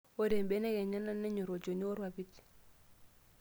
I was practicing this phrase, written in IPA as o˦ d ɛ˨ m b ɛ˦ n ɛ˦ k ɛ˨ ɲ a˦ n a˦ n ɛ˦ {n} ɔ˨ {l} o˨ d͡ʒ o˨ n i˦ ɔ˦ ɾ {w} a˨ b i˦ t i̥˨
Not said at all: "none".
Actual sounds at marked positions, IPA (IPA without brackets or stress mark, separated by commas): ɲ, ɾ, w